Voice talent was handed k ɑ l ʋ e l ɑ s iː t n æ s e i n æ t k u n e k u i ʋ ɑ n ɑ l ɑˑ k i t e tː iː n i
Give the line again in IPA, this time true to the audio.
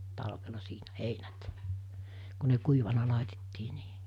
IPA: t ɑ l ʋ e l ɑ s iː n æ h e i n æ t k u n e k u i ʋ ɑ n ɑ l ɑˑ i t e tː iː n iː